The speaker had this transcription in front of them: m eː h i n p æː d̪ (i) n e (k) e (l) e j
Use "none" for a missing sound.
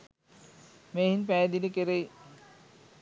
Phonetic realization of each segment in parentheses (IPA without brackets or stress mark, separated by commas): i, k, ɾ